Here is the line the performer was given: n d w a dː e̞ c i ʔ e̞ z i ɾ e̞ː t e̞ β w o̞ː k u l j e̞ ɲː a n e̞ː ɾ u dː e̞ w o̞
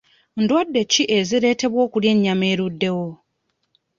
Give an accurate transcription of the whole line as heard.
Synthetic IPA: n d w a dː e̞ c i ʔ e̞ z i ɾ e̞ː t e̞ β w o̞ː k u l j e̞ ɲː a m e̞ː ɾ u dː e̞ w o̞

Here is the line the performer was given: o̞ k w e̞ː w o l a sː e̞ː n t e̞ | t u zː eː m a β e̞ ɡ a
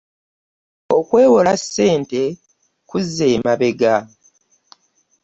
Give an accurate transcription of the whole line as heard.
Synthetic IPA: o̞ k w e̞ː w o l a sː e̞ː n t e̞ | k u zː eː m a β e̞ ɡ a

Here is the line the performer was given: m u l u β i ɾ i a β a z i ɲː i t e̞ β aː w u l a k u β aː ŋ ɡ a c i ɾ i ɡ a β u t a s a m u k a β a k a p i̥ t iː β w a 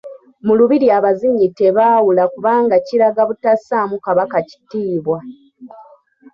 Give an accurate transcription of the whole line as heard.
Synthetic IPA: m u l u β i ɾ i a β a z i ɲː i t e̞ β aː w u l a k u β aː ŋ ɡ a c i ɾ a ɡ a β u t a s a m u k a β a k a c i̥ t iː β w a

